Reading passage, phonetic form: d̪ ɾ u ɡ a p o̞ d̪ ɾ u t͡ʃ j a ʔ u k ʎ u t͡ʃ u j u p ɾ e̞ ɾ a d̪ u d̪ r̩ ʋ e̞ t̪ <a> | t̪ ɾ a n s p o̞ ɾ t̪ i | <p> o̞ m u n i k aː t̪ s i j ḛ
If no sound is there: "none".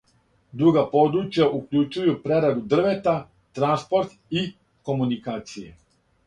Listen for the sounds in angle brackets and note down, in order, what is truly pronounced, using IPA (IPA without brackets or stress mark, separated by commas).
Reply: a, k